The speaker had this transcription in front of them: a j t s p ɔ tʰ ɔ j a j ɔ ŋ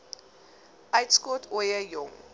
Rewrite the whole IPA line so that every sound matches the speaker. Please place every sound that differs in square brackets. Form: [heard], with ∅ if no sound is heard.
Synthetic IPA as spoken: a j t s [k] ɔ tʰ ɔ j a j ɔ ŋ